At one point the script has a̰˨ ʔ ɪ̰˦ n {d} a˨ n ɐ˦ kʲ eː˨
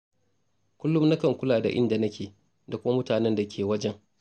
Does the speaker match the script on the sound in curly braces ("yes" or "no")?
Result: yes